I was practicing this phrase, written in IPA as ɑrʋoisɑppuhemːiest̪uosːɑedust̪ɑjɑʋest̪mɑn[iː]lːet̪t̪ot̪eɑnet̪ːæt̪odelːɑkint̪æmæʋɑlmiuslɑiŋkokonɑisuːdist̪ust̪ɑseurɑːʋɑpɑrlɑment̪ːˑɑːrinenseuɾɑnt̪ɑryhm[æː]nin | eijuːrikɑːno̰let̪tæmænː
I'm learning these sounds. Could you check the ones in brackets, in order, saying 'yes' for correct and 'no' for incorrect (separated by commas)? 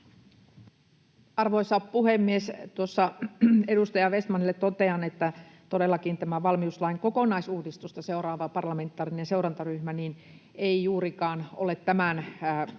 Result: no, no